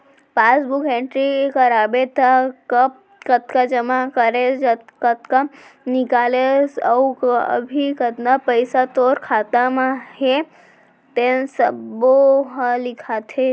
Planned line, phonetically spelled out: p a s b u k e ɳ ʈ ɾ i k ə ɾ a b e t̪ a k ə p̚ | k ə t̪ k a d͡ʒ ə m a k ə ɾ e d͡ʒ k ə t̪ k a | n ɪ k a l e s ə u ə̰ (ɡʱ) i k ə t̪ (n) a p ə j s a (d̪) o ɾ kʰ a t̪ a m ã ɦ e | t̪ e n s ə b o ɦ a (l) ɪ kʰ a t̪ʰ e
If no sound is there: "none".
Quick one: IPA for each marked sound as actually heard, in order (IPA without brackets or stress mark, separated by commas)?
bʱ, n, t̪, l